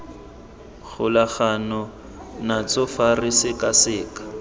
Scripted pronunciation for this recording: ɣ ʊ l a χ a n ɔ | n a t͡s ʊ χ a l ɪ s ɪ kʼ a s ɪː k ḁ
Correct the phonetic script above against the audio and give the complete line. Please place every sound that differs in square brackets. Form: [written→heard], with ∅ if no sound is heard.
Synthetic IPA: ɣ ʊ l a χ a n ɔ | n a t͡s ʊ [χ→f] a [l→r] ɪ s ɪ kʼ a s ɪː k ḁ